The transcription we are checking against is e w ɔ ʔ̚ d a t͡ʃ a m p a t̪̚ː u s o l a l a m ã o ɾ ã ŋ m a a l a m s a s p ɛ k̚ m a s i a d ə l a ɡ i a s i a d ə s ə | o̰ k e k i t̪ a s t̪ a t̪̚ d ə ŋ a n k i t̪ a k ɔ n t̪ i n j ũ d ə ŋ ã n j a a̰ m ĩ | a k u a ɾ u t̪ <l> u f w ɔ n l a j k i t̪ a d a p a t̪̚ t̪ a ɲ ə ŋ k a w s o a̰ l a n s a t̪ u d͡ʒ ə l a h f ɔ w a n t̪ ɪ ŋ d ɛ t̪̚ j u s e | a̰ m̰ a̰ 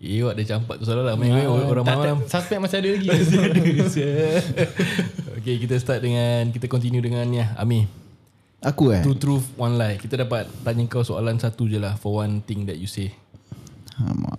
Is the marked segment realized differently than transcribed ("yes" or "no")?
yes